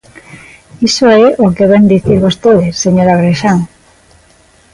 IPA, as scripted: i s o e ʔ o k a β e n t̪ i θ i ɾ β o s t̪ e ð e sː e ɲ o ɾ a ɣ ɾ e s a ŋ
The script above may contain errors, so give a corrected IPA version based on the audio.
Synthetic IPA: i s o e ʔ o k e β e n d̪ i θ i ɾ β o s t̪ e ð e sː e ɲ o ɾ a ɣ ɾ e ʃ a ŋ